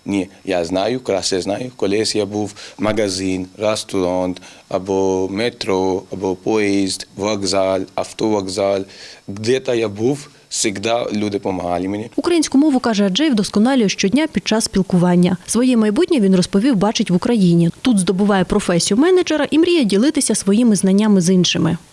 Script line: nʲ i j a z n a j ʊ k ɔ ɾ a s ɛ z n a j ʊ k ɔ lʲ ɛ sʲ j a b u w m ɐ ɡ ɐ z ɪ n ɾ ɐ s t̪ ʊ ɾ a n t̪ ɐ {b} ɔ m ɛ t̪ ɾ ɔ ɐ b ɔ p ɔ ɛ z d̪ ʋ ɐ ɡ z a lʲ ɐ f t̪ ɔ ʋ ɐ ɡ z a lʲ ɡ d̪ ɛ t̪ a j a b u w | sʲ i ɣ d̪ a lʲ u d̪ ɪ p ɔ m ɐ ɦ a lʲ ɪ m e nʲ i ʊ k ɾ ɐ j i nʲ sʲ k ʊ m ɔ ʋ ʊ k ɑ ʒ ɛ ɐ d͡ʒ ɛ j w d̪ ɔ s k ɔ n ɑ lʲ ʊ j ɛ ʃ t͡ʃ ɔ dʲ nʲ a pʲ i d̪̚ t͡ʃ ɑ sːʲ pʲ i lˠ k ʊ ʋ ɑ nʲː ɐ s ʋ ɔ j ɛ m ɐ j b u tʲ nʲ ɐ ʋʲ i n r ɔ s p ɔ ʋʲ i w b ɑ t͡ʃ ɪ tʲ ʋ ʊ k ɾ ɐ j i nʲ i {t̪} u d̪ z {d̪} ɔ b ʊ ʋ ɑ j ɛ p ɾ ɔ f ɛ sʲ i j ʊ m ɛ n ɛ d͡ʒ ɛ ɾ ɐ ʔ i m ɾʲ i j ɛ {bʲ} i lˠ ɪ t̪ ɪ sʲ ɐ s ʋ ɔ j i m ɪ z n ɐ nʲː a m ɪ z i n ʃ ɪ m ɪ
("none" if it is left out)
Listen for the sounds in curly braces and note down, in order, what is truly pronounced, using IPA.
b, t̪, d̪, dʲ

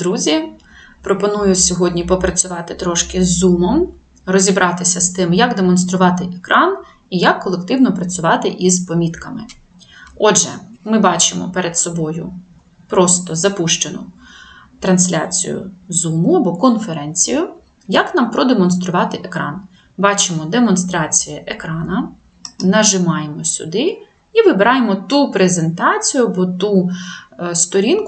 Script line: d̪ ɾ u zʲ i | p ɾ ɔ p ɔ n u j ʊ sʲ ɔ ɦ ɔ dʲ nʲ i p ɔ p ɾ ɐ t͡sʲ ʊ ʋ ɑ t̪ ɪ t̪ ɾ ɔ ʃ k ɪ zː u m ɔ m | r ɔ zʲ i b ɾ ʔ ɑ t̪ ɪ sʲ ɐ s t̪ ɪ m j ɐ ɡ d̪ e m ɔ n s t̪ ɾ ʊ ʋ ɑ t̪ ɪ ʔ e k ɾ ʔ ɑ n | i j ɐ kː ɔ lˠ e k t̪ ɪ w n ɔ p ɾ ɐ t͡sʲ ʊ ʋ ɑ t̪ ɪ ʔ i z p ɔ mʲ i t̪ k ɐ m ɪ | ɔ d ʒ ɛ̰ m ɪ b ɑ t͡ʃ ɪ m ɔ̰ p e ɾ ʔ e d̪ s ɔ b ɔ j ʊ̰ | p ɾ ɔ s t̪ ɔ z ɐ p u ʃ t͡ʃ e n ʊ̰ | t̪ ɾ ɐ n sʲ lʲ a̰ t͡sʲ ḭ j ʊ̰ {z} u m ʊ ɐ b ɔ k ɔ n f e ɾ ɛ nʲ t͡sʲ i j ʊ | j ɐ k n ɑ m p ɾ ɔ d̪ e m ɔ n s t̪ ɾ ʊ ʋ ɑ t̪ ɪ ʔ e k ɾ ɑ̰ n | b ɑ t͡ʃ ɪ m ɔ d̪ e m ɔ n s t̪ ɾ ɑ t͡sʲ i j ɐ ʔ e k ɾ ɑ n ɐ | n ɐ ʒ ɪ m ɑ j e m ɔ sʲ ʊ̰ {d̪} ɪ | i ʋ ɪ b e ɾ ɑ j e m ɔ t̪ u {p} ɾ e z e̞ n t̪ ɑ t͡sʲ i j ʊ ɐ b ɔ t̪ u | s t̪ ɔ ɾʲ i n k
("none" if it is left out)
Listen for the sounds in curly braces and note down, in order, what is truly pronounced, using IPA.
z, d̪, p

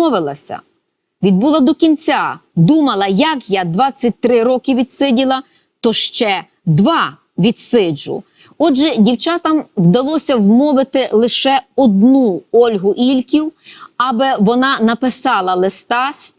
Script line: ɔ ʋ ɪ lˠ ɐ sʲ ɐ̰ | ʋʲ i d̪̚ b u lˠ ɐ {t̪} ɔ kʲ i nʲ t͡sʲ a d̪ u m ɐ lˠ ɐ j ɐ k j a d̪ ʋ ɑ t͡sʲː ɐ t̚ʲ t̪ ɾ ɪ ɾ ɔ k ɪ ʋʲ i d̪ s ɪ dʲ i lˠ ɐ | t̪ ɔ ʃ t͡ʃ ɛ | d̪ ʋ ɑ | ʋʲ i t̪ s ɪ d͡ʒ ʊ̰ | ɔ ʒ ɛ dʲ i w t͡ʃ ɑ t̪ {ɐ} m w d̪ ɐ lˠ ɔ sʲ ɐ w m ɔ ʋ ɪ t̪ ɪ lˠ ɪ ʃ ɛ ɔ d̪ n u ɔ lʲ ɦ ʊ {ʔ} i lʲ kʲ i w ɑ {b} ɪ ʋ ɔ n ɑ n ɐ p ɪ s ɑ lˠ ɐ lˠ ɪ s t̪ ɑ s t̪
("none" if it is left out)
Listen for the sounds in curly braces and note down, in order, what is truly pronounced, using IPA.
d̪, ɐ, ʔ, b

